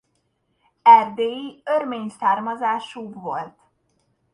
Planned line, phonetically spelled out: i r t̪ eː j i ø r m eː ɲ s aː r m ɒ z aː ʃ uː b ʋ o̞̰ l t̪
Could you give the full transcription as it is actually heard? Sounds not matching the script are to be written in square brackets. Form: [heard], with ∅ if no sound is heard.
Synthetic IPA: [ɛ] r [d̪] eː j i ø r m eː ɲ s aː r m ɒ z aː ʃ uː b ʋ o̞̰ l t̪